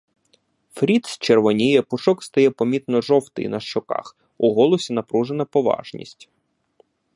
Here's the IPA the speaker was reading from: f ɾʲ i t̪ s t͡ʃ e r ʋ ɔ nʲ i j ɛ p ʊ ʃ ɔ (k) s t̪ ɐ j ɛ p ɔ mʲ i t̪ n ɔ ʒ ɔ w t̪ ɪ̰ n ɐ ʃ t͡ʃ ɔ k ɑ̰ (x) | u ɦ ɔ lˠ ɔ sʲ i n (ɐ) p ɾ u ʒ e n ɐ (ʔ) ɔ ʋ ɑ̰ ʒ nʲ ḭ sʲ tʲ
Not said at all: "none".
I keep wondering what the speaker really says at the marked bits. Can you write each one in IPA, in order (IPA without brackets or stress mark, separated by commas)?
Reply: k, x, ɐ, p